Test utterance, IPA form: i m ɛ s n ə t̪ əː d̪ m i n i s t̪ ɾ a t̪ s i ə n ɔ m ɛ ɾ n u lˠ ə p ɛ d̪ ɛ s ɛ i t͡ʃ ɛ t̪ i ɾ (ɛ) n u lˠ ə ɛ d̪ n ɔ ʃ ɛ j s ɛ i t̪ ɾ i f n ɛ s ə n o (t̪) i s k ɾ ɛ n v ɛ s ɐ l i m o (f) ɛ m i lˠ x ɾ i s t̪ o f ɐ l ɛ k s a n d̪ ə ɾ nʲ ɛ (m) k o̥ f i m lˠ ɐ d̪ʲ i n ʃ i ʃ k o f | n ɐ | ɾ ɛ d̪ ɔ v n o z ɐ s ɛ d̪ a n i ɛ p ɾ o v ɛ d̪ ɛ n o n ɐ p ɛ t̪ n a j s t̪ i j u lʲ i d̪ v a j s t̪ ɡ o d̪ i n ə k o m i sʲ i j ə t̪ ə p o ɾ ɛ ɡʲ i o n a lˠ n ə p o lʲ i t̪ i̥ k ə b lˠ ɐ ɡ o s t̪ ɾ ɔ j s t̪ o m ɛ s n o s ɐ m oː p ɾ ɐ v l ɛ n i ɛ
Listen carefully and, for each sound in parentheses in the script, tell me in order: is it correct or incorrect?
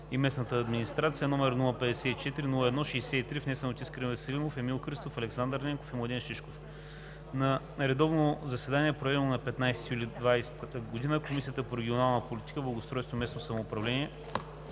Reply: incorrect, correct, correct, incorrect

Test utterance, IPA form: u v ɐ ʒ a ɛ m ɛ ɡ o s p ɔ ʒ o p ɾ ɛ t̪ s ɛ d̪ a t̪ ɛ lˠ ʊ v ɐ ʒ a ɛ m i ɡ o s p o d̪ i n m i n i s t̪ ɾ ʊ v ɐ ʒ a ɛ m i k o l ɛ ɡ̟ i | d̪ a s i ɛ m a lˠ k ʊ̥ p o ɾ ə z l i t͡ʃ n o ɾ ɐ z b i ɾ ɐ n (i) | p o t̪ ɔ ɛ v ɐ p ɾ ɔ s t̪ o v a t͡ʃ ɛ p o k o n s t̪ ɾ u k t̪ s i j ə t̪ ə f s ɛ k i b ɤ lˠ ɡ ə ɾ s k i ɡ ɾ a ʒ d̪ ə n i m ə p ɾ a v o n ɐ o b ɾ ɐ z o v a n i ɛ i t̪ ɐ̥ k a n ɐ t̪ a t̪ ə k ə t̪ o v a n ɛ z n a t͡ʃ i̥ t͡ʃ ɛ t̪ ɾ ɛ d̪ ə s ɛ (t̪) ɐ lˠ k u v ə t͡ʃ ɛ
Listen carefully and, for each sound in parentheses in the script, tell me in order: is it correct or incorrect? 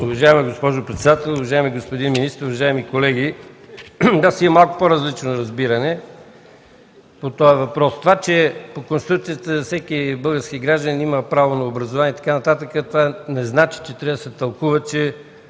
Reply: incorrect, correct

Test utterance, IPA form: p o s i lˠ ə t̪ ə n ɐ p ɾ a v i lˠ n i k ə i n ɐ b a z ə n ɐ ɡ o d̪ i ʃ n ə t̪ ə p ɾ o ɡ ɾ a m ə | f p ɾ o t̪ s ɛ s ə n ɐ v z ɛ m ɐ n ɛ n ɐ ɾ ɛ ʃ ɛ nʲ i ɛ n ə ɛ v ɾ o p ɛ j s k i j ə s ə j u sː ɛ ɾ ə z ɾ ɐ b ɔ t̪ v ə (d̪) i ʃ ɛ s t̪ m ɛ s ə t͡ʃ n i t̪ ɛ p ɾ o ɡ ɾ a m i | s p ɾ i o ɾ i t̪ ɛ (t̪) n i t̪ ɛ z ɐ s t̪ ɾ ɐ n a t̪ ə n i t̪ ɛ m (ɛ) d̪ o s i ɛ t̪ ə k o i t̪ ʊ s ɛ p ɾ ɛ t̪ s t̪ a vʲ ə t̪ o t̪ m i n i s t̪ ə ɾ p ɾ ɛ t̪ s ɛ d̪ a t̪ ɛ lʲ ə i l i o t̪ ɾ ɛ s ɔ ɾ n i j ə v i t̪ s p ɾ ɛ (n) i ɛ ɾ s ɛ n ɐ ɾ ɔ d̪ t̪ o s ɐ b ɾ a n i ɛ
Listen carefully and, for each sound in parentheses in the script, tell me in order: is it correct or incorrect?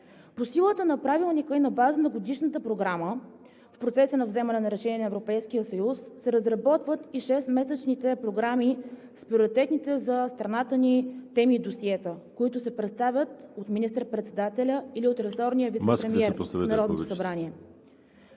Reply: incorrect, correct, incorrect, incorrect

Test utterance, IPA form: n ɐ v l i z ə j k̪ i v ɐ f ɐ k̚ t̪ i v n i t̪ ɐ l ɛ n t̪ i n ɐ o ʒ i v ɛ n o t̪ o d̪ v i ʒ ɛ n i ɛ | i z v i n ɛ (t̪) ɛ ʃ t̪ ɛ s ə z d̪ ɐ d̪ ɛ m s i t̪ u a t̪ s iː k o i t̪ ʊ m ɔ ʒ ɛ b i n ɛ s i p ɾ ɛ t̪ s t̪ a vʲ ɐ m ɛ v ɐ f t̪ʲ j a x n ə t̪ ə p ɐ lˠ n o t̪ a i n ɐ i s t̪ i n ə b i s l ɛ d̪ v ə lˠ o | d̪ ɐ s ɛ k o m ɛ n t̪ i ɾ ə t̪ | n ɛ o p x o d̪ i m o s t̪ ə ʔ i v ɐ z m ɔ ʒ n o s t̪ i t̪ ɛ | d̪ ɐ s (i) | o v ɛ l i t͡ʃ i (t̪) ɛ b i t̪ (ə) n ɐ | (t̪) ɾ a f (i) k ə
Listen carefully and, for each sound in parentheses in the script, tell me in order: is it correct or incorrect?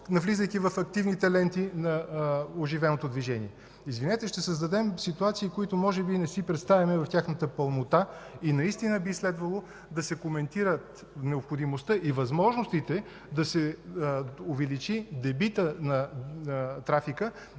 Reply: correct, incorrect, incorrect, correct, correct, correct

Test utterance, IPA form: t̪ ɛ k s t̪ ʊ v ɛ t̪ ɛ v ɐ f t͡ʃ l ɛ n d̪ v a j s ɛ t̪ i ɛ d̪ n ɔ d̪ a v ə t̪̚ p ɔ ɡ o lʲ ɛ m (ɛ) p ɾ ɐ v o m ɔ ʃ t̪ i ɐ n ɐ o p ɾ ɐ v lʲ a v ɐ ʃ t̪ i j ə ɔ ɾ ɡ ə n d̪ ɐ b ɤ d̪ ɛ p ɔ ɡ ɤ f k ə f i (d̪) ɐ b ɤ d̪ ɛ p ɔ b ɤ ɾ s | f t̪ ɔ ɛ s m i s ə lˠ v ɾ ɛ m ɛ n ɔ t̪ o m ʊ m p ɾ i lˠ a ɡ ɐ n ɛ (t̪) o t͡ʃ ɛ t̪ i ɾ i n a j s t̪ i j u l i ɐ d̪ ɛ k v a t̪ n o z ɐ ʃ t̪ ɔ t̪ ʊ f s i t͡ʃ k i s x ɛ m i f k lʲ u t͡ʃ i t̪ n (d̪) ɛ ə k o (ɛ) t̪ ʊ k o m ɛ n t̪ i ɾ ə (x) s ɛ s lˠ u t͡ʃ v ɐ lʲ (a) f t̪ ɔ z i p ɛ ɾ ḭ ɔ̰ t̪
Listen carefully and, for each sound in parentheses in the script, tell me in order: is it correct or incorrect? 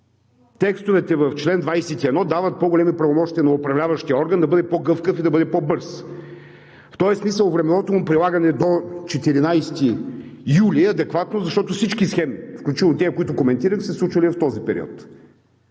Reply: incorrect, correct, incorrect, incorrect, incorrect, correct, incorrect

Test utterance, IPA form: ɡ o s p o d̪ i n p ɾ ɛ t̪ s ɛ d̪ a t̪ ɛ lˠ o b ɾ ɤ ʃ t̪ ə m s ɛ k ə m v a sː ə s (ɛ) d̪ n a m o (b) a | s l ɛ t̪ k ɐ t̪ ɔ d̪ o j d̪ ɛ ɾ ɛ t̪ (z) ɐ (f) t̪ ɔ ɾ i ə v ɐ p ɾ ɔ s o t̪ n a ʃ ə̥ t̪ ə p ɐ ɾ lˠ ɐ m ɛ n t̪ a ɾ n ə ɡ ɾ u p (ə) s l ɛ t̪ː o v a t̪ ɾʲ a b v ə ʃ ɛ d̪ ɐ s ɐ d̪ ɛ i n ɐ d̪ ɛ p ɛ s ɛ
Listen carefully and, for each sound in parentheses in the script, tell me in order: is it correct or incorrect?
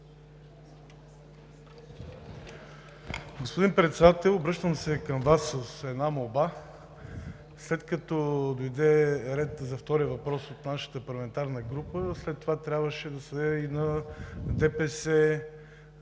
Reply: correct, correct, correct, correct, correct

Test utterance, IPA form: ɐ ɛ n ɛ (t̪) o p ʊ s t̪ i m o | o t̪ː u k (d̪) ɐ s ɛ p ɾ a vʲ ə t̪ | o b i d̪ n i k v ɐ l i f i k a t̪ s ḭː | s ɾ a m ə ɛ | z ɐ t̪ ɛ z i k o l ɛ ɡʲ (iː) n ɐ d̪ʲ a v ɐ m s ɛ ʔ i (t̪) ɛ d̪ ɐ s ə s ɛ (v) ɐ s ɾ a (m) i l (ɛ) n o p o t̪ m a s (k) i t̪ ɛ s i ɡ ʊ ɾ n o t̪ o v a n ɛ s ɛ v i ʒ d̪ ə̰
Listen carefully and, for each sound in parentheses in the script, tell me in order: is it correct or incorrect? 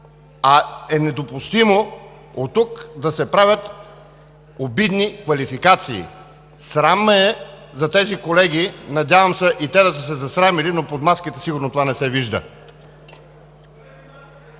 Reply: incorrect, correct, incorrect, correct, incorrect, correct, incorrect, correct

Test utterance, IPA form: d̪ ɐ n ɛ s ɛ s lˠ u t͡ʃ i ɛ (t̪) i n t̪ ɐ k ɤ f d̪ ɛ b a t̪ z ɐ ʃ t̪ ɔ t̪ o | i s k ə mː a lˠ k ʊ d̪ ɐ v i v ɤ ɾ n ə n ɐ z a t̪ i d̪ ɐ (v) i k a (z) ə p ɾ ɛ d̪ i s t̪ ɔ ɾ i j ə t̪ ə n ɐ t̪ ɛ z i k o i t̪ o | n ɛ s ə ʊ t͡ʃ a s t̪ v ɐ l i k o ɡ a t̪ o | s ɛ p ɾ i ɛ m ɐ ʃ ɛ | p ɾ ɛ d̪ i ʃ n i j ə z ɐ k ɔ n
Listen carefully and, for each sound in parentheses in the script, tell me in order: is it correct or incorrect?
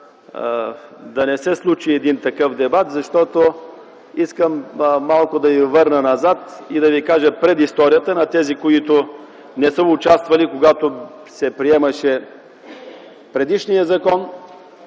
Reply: incorrect, correct, incorrect

